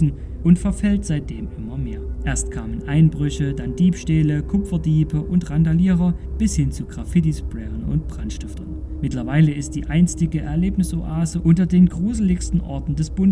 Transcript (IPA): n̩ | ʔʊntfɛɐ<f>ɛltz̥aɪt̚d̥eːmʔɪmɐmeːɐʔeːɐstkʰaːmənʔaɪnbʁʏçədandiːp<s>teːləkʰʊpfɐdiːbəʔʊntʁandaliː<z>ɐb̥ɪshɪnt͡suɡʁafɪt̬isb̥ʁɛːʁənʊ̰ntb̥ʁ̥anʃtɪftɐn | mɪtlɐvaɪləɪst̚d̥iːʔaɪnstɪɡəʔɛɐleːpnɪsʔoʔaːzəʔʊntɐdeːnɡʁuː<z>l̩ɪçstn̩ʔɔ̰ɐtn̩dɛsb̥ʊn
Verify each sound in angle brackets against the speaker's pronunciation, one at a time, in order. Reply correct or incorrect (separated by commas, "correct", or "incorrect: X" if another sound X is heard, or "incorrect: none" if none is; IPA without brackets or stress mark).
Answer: correct, incorrect: ʃ, incorrect: ʁ, correct